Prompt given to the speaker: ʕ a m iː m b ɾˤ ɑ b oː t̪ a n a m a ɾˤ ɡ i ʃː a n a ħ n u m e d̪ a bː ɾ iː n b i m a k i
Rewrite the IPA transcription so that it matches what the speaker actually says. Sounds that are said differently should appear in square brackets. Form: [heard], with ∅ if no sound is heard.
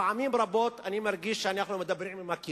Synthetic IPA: ʕ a m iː m b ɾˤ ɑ b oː t̪ a n [i] m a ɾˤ ɡ i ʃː a n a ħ n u m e d̪ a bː ɾ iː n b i m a k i